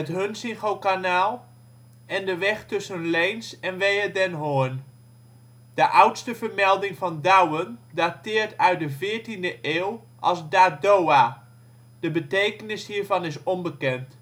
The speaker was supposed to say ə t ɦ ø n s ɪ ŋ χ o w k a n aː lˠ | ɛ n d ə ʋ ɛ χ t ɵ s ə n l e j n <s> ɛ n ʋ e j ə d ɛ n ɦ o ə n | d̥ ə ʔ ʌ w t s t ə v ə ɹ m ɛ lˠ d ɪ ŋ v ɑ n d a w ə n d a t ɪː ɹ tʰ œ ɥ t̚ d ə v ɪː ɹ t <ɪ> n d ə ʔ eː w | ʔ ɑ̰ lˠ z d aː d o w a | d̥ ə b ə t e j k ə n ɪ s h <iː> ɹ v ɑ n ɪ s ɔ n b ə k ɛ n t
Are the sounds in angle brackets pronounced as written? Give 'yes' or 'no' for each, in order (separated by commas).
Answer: yes, no, yes